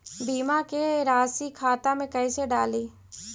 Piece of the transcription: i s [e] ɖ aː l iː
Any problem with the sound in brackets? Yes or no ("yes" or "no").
no